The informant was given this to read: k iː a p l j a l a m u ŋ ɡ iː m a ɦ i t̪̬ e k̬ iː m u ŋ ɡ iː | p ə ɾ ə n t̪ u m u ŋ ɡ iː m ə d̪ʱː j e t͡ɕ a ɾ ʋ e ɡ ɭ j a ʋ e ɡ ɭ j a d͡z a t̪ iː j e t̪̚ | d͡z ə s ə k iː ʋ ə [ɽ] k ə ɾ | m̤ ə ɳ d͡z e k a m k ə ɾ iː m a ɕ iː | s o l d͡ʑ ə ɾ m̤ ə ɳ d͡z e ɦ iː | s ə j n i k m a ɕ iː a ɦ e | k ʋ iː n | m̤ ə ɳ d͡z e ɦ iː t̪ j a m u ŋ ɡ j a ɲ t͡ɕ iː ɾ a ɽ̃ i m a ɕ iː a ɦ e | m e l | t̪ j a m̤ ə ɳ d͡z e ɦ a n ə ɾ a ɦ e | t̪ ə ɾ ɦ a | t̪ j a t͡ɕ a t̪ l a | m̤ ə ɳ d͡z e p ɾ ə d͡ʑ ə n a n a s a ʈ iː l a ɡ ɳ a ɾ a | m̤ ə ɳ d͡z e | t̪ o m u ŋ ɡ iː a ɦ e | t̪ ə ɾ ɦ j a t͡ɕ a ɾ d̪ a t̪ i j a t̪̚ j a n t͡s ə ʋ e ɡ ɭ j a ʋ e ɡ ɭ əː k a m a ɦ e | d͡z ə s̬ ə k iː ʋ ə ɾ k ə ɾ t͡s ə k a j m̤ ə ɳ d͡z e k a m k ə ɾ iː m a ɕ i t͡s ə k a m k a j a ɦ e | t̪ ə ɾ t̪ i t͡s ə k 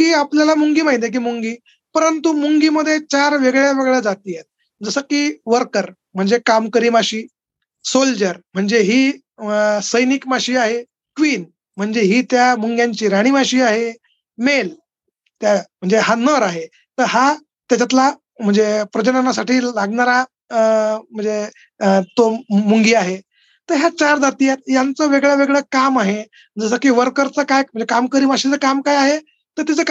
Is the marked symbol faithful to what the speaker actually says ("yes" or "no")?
no